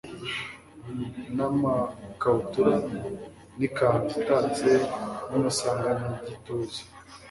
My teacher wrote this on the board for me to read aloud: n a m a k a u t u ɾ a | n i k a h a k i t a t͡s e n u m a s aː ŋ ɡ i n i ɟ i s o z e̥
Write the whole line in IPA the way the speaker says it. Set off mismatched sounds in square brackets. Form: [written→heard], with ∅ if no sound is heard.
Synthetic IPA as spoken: n a m a k a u t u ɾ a | n i k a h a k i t a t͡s e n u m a s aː ŋ ɡ [i→a] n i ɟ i [s→t] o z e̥